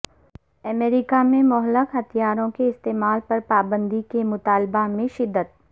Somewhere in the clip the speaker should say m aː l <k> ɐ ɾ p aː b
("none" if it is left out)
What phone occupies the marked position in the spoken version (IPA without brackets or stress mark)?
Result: p